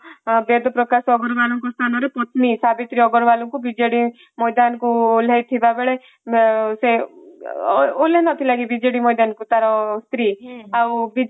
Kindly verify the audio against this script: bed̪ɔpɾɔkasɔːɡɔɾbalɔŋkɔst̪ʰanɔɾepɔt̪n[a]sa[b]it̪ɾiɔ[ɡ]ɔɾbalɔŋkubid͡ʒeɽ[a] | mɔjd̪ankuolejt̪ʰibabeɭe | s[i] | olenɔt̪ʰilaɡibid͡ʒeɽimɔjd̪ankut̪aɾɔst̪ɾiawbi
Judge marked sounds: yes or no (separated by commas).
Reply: no, yes, yes, no, no